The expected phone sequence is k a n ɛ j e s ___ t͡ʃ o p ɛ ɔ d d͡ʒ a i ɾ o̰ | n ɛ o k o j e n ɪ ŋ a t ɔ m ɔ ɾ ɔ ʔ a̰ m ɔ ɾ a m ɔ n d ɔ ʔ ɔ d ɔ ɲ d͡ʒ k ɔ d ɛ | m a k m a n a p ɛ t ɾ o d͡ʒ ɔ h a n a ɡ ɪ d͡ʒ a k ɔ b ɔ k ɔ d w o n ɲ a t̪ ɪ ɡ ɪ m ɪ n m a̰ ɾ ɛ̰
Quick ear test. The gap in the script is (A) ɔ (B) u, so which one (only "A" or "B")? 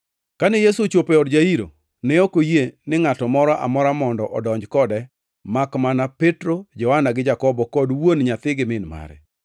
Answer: B